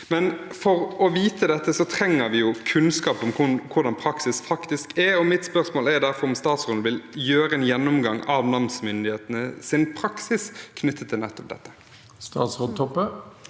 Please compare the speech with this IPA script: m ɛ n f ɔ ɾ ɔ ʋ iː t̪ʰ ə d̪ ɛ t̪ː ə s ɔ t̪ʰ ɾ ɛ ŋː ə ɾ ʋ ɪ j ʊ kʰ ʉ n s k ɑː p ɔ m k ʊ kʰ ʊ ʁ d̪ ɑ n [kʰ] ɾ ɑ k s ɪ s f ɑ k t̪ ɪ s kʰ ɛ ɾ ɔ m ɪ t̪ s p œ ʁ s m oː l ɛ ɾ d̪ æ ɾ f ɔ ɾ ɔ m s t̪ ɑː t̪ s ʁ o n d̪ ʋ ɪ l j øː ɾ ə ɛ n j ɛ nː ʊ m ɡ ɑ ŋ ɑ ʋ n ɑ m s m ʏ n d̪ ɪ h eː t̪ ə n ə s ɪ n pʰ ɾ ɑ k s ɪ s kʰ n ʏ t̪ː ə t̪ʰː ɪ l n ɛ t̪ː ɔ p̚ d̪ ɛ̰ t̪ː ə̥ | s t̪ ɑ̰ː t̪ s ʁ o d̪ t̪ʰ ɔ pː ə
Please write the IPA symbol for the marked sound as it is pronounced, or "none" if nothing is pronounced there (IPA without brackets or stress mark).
pʰ